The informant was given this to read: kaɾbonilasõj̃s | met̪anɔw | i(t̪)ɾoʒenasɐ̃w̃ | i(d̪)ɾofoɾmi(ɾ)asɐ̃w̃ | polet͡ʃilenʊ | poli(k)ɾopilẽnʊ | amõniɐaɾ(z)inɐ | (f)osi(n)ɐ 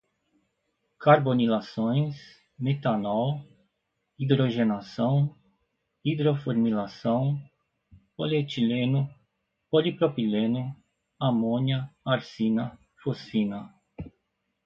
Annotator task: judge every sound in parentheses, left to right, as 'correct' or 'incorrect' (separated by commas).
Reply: incorrect, correct, incorrect, incorrect, incorrect, correct, correct